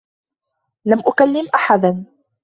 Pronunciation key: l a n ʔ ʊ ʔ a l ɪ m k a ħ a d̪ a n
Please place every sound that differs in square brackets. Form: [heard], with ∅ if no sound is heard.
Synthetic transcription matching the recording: l a [m] ʔ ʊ [k] a [lː] ɪ m [ʔ] a ħ a d̪ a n